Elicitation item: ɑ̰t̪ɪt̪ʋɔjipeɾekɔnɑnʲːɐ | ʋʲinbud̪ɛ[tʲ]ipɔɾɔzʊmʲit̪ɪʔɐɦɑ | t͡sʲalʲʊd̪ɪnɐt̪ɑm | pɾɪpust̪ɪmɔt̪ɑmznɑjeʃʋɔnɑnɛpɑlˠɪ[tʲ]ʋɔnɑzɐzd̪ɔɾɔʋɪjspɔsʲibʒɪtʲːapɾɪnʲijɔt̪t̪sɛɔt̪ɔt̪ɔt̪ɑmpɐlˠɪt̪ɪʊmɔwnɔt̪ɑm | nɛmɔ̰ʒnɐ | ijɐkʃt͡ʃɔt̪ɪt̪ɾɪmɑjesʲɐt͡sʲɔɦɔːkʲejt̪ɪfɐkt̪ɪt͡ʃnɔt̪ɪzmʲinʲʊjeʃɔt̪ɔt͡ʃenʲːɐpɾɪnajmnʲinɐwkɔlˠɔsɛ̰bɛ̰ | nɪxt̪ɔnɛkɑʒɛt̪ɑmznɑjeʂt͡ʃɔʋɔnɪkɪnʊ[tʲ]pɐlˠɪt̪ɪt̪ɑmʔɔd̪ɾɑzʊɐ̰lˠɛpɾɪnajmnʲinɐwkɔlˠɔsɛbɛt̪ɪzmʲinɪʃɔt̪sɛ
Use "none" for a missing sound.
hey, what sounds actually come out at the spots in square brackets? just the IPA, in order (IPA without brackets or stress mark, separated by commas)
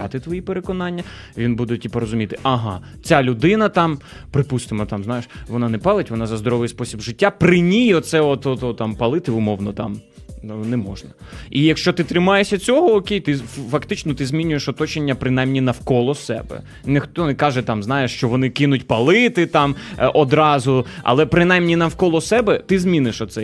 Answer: tʲ, tʲ, tʲ